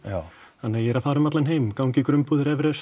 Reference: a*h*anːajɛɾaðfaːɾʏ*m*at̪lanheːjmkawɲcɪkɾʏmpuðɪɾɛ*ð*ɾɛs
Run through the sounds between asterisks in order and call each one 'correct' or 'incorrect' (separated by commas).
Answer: correct, correct, incorrect